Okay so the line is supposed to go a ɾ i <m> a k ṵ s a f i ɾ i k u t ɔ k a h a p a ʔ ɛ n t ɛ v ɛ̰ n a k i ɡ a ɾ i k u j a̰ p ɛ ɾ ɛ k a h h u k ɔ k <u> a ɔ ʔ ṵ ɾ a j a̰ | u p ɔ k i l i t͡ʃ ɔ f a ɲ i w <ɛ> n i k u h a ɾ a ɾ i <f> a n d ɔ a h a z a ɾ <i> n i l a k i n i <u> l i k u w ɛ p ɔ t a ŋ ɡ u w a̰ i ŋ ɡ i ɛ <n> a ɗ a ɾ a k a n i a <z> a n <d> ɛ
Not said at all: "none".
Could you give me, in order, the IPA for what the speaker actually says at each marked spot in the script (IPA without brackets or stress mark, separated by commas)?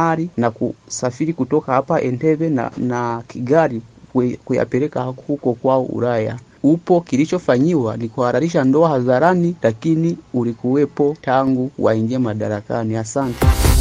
n, w, a, ʃ, a, u, m, s, t